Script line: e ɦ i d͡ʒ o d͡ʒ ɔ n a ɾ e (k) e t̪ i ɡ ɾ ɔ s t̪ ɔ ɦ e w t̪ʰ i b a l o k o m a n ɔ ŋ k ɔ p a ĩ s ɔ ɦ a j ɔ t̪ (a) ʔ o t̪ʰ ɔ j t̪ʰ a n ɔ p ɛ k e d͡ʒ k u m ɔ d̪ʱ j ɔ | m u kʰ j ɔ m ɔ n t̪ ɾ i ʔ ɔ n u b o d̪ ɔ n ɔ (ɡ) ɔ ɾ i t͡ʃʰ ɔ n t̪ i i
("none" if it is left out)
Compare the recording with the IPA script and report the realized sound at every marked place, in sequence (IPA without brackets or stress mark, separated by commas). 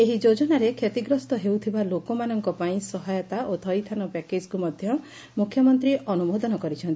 kʰ, a, k